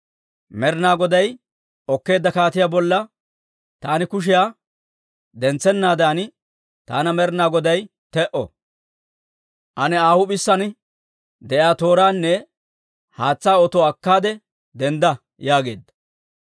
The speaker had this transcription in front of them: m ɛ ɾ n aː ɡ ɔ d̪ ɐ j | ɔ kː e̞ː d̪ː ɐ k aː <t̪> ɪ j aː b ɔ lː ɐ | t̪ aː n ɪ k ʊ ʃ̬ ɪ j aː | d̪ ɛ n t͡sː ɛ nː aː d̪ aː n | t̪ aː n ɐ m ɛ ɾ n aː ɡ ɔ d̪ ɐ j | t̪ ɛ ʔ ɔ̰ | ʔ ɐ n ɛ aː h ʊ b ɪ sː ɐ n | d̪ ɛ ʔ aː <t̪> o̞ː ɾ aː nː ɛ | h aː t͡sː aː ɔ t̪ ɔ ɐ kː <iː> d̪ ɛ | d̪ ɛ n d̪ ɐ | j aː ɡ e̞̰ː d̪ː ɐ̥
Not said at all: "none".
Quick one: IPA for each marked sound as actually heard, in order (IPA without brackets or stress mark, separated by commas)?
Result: t̪, t̪, aː